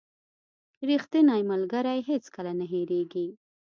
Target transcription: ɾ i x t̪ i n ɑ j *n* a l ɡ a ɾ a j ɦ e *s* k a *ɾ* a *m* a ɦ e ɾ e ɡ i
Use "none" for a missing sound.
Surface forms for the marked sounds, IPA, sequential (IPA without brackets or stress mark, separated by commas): m, t͡s, l, n